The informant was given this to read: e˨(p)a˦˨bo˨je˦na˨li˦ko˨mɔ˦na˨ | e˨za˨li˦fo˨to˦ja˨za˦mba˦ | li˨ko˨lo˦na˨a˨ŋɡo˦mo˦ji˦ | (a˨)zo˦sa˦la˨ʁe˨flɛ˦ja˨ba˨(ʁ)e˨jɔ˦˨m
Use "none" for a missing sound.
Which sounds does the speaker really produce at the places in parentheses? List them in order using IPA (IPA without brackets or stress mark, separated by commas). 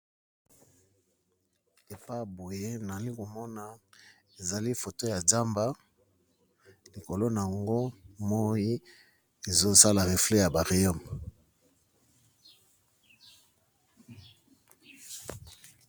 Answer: p, e˨, ʁ